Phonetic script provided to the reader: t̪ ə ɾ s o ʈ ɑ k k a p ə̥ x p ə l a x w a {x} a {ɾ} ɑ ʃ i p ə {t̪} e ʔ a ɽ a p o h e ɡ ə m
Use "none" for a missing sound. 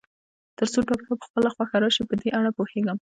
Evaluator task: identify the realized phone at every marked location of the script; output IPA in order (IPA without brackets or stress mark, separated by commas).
x, ɾ, d̪